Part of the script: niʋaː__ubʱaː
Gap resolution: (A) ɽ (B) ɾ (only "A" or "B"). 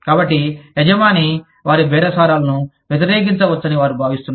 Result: B